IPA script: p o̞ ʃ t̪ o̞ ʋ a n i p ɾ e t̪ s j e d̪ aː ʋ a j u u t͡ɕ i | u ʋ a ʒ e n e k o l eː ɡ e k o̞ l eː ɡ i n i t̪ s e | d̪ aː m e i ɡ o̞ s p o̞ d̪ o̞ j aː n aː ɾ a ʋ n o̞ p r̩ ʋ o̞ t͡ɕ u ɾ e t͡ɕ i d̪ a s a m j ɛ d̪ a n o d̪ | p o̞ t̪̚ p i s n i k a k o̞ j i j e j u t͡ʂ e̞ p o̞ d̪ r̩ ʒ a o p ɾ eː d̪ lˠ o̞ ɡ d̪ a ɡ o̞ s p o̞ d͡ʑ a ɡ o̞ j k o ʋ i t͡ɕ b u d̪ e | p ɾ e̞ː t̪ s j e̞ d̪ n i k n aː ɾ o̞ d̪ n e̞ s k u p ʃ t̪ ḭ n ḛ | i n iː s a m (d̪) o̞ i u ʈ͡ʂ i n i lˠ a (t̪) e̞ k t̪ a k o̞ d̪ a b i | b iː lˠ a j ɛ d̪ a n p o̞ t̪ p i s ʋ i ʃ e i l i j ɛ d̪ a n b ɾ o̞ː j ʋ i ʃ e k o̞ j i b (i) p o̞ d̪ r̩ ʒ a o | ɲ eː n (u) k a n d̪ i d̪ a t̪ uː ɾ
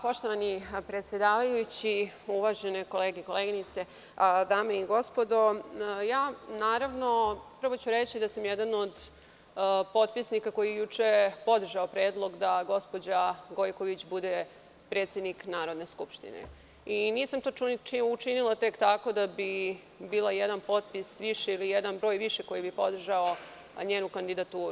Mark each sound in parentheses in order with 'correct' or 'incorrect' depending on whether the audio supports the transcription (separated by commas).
incorrect, correct, correct, correct